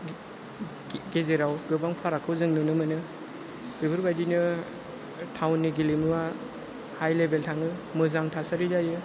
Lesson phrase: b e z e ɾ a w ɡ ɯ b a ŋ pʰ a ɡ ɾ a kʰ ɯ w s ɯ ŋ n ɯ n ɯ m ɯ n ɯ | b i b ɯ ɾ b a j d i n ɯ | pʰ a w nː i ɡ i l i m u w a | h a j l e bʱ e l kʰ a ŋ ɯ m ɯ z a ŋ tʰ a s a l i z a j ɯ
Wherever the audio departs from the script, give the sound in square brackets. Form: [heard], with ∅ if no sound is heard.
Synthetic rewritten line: [ɡ] e z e ɾ a w ɡ ɯ b a ŋ pʰ a [∅] ɾ a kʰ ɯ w [z] ɯ ŋ n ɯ n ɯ m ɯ n ɯ | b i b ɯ ɾ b a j d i n ɯ | [tʰ] a w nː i ɡ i l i m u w a | h a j l e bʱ e l [tʰ] a ŋ ɯ m ɯ z a ŋ tʰ a s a [ɾ] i z a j ɯ